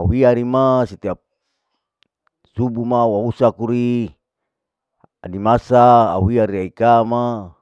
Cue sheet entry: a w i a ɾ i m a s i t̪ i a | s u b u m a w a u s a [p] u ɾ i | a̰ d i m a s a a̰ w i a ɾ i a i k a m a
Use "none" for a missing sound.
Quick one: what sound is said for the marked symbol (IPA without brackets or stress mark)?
k